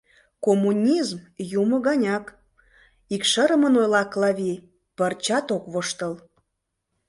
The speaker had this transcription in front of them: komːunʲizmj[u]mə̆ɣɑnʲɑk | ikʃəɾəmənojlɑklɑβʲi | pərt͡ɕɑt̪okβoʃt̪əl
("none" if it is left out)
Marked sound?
u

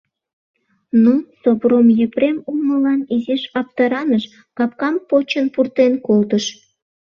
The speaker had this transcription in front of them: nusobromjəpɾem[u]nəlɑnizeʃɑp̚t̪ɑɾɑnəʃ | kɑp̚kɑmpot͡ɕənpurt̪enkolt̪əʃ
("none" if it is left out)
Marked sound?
u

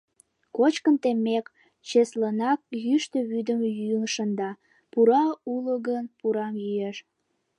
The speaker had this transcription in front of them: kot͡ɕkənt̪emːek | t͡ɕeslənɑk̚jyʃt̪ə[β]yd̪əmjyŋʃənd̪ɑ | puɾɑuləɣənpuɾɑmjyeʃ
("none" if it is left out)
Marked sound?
β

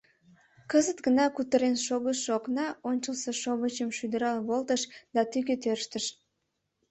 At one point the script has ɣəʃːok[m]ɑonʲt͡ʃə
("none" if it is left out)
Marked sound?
n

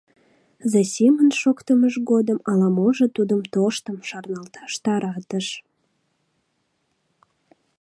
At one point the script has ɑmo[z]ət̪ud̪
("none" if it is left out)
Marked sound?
ʒ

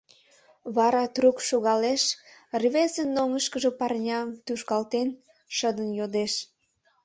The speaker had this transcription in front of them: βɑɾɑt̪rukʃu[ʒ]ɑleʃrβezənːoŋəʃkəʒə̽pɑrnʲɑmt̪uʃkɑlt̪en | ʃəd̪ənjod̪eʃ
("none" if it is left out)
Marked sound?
ɣ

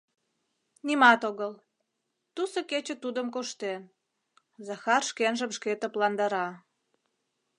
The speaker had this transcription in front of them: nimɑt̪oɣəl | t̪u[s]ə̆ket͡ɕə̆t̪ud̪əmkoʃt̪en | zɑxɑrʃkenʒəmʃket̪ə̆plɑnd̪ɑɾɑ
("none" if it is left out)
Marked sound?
s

